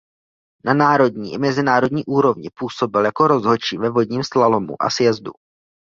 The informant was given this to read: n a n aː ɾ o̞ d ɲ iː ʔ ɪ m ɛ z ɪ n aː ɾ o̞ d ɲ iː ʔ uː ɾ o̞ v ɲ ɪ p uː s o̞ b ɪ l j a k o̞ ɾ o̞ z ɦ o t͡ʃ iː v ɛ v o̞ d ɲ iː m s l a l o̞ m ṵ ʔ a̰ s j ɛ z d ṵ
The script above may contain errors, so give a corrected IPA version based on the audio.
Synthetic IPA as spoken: n a n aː ɾ o̞ d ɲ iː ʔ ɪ m ɛ z ɪ n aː ɾ o̞ d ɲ iː ʔ uː ɾ o̞ v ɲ ɪ p uː s o̞ b ɪ l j a k o̞ ɾ o̞ z ɦ o t͡ʃ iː v ɛ v o̞ d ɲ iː m s l a l o̞ m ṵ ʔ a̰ s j ɛ z d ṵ